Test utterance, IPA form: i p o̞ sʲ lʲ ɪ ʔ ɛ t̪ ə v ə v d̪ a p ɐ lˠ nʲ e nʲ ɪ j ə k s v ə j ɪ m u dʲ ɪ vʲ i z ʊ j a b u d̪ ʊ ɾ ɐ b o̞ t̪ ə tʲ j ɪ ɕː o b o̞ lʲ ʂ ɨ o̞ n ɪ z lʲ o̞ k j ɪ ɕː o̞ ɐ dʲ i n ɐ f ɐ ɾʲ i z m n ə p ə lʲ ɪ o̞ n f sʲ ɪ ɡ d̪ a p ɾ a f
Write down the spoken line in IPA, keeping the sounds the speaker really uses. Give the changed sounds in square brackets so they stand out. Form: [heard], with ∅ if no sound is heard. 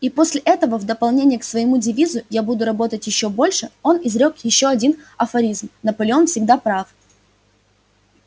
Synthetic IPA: i p o̞ sʲ lʲ ɪ ʔ ɛ t̪ ə v ə v d̪ [ə] p ɐ lˠ nʲ e nʲ ɪ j ə k s v ə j ɪ m u dʲ ɪ vʲ i z ʊ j a b u d̪ ʊ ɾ ɐ b o̞ t̪ ə tʲ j ɪ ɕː o b o̞ lʲ ʂ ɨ o̞ n ɪ z [ɾʲ] o̞ k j ɪ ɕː o̞ ɐ dʲ i n ɐ f ɐ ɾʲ i z m n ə p ə lʲ ɪ o̞ n f sʲ ɪ ɡ d̪ a p ɾ a f